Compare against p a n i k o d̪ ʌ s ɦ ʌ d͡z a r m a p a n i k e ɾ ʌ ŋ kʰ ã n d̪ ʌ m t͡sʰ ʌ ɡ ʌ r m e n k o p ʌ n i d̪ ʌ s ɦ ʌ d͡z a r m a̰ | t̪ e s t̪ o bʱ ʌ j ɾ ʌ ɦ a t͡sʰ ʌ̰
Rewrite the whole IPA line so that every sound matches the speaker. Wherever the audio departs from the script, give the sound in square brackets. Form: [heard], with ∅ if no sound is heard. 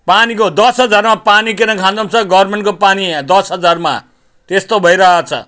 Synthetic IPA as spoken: p a n i k o d̪ ʌ s ɦ ʌ d͡z a r m a p a n i k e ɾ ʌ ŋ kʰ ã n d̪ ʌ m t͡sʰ ʌ ɡ ʌ r m e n k o p [a] n i d̪ ʌ s ɦ ʌ d͡z a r m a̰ | t̪ e s t̪ o bʱ ʌ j ɾ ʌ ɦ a t͡sʰ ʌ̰